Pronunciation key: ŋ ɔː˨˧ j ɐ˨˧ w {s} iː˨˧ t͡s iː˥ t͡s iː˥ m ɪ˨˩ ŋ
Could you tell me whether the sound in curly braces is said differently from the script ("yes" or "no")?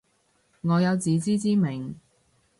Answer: yes